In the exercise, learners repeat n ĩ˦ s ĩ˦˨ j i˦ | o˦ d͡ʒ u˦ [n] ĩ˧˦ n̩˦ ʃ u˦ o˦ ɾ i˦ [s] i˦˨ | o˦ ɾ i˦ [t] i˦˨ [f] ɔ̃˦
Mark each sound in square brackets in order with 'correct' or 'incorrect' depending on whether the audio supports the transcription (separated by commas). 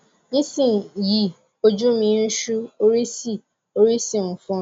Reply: incorrect, correct, incorrect, correct